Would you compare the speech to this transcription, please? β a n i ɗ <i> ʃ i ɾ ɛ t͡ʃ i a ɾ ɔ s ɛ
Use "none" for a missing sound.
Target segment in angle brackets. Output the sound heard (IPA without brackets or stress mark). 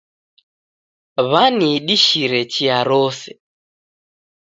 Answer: i